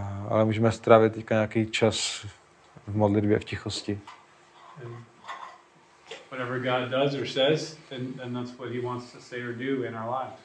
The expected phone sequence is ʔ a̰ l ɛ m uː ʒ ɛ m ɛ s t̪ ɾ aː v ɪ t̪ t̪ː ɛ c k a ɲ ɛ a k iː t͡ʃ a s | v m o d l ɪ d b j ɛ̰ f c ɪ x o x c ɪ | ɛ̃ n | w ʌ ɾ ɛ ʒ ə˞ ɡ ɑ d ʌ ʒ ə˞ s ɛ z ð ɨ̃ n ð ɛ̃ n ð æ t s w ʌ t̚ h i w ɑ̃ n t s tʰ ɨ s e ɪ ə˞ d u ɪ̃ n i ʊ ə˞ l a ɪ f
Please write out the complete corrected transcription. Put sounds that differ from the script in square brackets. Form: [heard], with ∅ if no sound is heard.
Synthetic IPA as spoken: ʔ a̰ l ɛ m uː ʒ ɛ m ɛ s t̪ ɾ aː v ɪ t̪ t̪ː ɛ c k a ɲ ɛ a k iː t͡ʃ a s | v m o d l ɪ d b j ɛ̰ f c ɪ x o [s] c ɪ | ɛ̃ n | w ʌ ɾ ɛ [v] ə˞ ɡ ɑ d ʌ [z] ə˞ s ɛ z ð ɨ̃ n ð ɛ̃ n ð æ t s w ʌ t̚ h i w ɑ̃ n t s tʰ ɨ s e ɪ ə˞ d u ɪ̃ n [a] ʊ ə˞ l a ɪ f